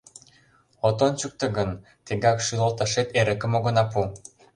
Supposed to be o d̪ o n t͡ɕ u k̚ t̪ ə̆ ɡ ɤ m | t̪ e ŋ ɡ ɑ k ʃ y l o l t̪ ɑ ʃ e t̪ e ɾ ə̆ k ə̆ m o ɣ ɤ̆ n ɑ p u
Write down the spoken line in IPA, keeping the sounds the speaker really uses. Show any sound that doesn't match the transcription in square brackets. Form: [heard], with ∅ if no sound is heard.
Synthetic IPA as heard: o [t̪] o n t͡ɕ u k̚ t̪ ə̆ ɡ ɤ [n] | t̪ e ŋ ɡ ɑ k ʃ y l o l t̪ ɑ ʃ e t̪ e ɾ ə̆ k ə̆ m o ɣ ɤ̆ n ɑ p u